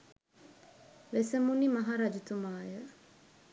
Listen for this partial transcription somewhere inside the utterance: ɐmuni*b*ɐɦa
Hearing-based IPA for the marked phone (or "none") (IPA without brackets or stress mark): m